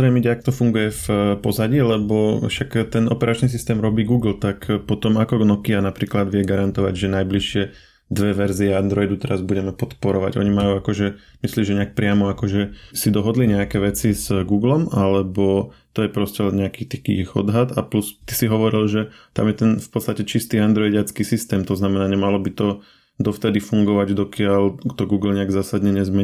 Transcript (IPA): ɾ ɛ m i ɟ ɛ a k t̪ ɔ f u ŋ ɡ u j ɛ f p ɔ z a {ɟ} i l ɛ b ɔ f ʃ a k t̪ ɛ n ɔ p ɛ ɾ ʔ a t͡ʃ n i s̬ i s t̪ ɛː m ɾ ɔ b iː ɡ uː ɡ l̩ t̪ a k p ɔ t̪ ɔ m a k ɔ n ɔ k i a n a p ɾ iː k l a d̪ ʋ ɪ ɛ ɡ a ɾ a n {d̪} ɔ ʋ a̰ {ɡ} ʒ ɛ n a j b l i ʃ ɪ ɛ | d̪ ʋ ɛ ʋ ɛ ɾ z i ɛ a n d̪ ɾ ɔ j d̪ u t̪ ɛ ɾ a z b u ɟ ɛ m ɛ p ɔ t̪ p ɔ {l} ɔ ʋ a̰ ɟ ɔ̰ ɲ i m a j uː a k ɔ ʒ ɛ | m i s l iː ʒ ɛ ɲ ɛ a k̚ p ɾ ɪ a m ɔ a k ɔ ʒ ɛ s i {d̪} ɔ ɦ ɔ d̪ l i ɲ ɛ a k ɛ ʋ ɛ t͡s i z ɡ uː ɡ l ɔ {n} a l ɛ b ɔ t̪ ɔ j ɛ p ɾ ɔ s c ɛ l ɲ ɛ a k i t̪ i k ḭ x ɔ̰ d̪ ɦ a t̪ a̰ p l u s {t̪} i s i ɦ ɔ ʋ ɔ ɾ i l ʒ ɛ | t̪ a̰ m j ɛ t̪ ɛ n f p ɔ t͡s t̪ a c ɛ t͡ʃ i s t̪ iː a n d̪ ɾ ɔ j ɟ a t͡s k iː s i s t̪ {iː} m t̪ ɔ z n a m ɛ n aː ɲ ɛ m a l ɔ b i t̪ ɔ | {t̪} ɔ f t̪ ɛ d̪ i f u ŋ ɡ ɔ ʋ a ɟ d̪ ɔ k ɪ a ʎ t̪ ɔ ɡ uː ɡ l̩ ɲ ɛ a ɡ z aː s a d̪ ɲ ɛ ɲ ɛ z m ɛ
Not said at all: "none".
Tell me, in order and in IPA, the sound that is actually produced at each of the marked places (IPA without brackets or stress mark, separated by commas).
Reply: ɟ, t̪, ɟ, ɾ, d̪, m, t̪, ɛː, d̪